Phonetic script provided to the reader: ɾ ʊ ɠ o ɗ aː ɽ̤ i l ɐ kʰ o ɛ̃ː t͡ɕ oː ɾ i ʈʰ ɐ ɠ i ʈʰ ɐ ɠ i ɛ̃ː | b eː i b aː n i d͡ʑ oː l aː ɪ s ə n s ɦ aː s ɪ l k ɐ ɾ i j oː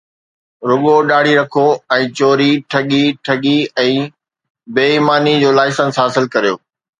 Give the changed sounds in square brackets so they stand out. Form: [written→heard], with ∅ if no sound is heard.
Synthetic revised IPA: ɾ ʊ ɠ o ɗ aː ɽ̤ i [l→ɾ] ɐ kʰ o ɛ̃ː t͡ɕ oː ɾ i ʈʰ ɐ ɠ i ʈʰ ɐ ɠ i ɛ̃ː | b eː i [b→m] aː n i d͡ʑ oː l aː ɪ s ə n s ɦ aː s ɪ l k ɐ ɾ i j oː